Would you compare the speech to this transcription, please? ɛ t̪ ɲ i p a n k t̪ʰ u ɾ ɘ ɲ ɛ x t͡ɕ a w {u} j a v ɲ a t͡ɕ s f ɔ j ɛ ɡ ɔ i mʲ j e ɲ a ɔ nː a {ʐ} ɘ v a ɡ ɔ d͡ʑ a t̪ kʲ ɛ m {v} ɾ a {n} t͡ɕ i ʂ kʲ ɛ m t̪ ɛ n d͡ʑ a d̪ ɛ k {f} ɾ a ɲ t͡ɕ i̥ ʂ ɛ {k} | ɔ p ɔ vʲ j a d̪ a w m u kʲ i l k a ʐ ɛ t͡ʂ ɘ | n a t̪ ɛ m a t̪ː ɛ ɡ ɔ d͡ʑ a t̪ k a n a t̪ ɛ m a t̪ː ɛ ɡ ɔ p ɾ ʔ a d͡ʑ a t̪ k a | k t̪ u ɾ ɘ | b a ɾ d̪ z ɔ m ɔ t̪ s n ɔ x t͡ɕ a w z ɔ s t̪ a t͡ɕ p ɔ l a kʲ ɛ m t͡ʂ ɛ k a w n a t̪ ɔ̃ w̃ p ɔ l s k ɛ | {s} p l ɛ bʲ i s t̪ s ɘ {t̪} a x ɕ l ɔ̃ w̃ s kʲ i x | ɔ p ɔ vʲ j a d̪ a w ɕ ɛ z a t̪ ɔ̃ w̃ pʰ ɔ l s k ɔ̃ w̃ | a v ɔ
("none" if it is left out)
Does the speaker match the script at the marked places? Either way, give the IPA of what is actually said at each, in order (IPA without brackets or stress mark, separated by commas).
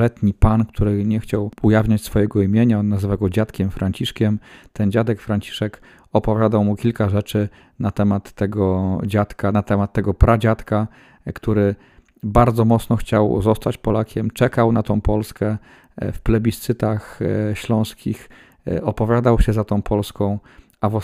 u, z, f, ɲ, f, k, f, t̪